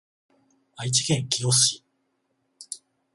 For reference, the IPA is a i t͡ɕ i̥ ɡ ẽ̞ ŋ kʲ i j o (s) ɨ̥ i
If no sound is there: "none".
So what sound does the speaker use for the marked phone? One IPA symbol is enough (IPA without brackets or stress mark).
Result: s